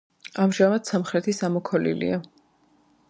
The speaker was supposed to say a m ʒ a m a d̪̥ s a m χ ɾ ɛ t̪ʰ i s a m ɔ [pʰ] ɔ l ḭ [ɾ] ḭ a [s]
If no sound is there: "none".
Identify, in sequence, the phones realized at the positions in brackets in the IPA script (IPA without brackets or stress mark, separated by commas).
kʰ, l, none